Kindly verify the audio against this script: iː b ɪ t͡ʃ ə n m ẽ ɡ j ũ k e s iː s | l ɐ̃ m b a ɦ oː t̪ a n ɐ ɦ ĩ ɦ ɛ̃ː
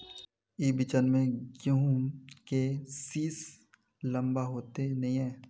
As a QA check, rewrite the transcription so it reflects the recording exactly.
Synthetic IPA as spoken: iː b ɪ t͡ʃ ə n m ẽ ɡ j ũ k e s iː s | l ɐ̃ m b a ɦ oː t̪ e n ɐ ɦ ĩ ɦ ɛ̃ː